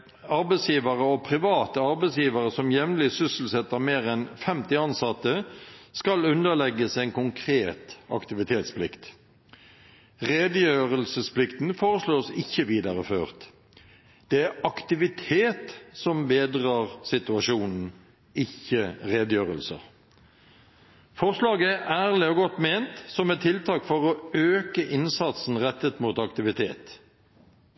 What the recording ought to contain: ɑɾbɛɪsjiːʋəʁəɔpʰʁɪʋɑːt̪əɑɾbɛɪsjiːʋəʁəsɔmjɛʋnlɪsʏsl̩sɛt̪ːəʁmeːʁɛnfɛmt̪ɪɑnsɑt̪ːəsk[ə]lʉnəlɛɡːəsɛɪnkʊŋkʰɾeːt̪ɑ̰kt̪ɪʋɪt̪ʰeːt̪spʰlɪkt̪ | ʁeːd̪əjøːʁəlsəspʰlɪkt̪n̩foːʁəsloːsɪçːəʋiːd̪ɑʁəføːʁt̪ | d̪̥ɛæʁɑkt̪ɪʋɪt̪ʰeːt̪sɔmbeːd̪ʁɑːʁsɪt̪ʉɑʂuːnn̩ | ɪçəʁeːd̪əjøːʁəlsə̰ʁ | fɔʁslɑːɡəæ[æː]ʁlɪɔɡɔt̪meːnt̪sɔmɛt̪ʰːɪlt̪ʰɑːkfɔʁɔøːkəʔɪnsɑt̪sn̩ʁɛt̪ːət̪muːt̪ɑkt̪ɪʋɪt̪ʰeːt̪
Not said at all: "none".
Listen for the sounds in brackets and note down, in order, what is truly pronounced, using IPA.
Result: ɑ, æː

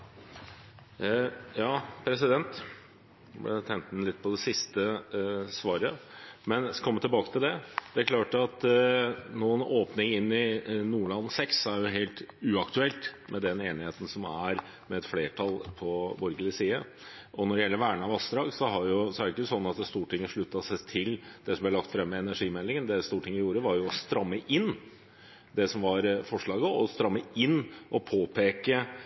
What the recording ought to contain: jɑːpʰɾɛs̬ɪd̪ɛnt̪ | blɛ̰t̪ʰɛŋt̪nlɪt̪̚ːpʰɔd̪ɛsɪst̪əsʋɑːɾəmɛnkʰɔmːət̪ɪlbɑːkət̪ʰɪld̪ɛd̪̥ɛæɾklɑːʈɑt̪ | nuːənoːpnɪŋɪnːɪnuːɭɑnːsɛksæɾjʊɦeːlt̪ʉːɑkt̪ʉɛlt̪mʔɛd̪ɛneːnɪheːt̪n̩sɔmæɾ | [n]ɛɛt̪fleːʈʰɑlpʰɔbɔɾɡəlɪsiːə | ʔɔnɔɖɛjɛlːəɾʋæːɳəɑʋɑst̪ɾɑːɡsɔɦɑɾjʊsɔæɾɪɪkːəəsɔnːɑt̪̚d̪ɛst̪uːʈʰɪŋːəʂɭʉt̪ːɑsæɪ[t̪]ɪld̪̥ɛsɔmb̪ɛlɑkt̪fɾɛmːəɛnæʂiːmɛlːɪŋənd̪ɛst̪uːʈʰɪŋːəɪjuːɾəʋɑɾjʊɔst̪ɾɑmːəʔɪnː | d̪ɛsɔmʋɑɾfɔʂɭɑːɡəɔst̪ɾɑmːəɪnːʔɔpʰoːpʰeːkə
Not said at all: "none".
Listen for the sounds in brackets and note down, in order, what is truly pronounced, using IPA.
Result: m, t̪ʰ

